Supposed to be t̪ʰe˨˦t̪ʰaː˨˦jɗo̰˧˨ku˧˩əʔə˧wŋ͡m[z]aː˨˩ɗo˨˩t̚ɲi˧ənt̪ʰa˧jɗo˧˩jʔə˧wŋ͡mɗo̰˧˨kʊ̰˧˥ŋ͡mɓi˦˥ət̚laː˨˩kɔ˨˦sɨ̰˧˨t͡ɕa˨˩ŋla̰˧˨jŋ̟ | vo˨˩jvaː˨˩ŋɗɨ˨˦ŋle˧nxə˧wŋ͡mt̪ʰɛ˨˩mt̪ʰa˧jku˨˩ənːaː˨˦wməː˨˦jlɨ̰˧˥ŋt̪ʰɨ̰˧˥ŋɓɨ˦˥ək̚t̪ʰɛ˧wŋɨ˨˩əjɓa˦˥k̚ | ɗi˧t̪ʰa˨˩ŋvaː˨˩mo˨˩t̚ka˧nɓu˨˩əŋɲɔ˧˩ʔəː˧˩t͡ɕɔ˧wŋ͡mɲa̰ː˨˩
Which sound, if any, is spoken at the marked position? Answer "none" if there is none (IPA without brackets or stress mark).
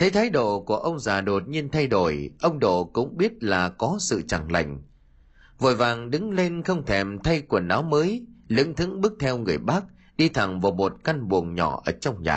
z